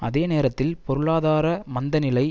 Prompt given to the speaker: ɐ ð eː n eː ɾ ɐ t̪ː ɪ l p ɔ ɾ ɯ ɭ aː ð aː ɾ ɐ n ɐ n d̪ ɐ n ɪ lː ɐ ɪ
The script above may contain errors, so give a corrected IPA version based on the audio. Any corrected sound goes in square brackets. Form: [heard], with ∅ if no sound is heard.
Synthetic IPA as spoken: ɐ ð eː n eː ɾ ɐ t̪ː ɪ l p ɔ ɾ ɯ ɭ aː ð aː ɾ ɐ [m] ɐ n d̪ ɐ n ɪ [l] ɐ ɪ